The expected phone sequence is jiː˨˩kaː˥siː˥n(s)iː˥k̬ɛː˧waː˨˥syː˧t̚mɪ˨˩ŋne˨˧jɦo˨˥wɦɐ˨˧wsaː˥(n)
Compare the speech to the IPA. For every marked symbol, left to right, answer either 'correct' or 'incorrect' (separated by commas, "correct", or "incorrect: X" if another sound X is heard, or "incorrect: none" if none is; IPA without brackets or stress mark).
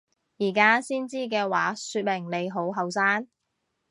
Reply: incorrect: t͡s, correct